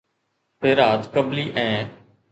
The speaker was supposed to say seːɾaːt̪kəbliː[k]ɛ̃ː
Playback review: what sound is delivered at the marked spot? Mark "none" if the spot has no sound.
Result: ʔ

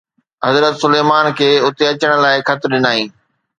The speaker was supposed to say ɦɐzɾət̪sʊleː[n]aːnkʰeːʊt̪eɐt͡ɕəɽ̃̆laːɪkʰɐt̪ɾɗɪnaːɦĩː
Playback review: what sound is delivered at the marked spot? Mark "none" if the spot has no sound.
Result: m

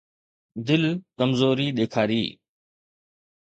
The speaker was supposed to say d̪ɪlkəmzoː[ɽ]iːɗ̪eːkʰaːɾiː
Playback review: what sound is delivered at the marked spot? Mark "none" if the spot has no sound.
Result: ɾ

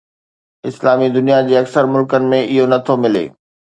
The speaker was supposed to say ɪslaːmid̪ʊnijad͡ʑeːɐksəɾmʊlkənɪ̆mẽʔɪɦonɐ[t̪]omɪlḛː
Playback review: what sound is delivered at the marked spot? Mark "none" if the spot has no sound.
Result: t̪ʰ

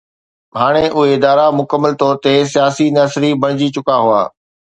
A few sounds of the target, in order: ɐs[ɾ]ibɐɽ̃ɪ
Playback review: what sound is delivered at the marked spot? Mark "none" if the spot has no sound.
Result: ɾ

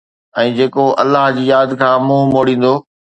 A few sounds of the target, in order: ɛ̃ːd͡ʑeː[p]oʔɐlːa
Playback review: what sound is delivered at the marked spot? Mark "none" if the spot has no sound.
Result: k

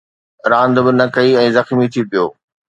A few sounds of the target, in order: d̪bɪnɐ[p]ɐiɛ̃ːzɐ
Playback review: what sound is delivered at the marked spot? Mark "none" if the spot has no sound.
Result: k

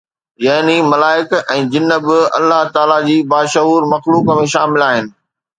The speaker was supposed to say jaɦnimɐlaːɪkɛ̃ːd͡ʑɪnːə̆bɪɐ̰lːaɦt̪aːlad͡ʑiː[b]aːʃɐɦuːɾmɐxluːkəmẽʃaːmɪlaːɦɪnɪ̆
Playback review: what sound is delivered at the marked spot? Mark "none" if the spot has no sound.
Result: b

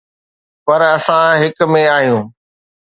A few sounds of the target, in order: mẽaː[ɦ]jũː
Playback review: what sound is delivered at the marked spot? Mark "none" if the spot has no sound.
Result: ɦ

